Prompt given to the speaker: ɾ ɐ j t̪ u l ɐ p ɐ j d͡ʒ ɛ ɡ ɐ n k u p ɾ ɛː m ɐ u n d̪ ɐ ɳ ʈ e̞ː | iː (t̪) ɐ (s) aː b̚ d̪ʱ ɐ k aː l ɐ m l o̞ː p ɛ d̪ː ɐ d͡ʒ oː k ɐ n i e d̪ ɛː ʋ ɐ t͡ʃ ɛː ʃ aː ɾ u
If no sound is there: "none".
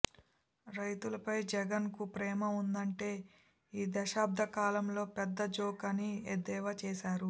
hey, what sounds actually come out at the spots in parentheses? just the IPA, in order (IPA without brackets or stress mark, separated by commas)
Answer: d̪, ʃ